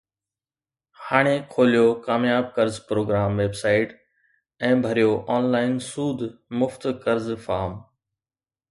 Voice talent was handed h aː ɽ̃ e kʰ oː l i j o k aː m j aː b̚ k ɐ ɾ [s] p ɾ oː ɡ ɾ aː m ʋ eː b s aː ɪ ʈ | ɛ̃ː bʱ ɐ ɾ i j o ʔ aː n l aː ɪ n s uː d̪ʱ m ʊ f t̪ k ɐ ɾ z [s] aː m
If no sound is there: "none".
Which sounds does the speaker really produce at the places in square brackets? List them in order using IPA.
z, f

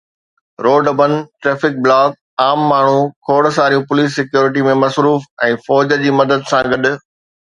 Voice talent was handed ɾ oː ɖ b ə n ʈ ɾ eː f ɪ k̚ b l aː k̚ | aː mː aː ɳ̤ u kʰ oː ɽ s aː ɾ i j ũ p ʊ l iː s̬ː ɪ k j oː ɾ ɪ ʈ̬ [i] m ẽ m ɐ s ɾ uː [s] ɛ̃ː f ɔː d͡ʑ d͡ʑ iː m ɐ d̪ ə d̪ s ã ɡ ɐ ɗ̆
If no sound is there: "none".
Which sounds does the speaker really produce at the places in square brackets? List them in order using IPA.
i, f

